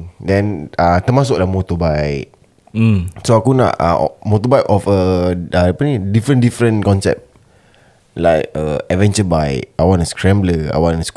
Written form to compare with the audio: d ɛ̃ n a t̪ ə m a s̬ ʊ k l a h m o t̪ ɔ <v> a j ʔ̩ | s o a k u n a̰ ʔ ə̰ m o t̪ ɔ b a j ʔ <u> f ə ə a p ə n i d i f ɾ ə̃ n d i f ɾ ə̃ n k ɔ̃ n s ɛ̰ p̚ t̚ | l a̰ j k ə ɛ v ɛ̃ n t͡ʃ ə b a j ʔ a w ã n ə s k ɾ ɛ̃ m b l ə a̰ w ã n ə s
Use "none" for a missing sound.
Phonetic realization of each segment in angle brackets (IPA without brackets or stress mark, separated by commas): b, ɔ